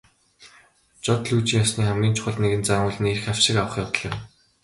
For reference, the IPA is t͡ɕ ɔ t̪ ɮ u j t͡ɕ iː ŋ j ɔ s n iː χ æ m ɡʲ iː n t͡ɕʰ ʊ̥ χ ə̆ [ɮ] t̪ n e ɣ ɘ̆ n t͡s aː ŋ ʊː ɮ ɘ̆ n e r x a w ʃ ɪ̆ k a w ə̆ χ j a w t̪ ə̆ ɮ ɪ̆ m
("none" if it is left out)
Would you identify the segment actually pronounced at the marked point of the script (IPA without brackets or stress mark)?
ɮ